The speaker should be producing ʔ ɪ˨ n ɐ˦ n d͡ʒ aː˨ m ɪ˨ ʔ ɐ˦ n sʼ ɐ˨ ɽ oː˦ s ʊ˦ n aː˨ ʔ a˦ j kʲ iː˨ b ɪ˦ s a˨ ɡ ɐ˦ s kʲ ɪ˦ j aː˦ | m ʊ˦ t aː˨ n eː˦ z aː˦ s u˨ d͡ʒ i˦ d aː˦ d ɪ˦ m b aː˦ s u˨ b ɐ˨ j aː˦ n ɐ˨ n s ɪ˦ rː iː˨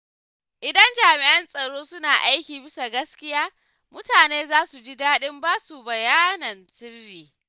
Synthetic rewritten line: ʔ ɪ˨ d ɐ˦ n d͡ʒ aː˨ m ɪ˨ ʔ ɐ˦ n sʼ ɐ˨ ɽ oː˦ s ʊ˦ n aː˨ ʔ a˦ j kʲ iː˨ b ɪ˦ s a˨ ɡ ɐ˦ s kʲ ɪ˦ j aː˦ | m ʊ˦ t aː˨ n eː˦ z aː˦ s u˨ d͡ʒ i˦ d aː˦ ɗ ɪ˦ m b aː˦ s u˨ b ɐ˨ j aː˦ n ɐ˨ n s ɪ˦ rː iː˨